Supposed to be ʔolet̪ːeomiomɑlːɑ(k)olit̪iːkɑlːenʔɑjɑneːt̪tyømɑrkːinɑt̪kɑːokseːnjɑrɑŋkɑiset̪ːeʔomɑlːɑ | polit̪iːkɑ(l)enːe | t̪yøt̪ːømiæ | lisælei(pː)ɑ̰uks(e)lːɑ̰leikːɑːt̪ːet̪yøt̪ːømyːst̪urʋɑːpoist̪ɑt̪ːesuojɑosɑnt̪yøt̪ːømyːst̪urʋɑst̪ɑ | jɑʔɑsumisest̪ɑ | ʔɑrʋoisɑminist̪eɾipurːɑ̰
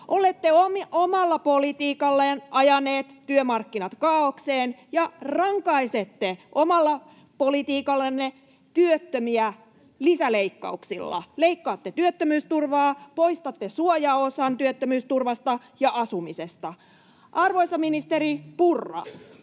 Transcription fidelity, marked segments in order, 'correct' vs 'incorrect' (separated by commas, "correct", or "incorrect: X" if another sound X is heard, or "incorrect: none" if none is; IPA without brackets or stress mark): incorrect: p, incorrect: lː, incorrect: kː, incorrect: i